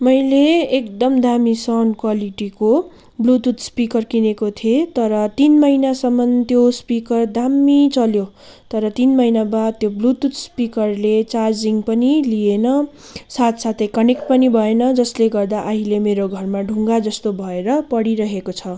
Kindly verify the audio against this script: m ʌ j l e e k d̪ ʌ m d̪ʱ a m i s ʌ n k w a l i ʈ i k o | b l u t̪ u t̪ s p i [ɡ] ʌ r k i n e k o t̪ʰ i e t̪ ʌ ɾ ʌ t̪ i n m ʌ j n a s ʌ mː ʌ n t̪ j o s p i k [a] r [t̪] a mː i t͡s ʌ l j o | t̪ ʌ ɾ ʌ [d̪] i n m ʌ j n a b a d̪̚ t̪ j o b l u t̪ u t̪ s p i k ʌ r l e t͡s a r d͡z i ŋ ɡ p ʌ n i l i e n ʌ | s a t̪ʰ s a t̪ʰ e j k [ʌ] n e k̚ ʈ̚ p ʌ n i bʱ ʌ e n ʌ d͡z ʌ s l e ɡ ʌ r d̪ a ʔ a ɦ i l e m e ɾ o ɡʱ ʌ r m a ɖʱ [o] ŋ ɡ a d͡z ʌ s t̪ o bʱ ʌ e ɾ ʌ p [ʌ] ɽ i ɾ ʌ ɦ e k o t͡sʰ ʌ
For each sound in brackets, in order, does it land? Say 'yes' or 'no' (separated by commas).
no, no, no, no, yes, no, yes